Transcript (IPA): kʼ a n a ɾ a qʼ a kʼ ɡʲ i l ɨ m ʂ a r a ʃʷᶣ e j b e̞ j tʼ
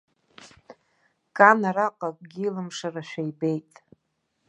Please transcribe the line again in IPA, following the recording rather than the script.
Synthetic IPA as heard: kʼ a n a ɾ a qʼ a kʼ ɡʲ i l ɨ m ʂ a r a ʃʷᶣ a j b e̞ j tʼ